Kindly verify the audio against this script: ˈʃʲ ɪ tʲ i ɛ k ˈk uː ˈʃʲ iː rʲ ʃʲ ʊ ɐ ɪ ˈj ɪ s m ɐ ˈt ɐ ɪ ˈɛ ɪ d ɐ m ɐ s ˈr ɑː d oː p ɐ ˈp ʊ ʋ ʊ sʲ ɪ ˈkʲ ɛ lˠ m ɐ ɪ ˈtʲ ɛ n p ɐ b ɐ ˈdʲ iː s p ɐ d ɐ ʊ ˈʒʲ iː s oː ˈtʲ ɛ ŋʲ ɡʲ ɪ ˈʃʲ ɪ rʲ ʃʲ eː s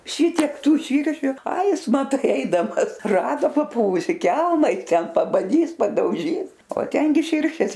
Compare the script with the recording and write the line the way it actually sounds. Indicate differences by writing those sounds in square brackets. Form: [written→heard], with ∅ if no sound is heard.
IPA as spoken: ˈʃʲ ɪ tʲ i ɛ k [ˈk→ˈt] uː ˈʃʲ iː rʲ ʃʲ ʊ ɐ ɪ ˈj ɪ s m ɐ ˈt ɐ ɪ ˈɛ ɪ d ɐ m ɐ s ˈr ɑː d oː p ɐ ˈp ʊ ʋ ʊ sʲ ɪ ˈkʲ ɛ lˠ m ɐ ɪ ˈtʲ ɛ n p ɐ b ɐ ˈdʲ iː s p ɐ d ɐ ʊ ˈʒʲ iː s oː ˈtʲ ɛ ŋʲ ɡʲ ɪ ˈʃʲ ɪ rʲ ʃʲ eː s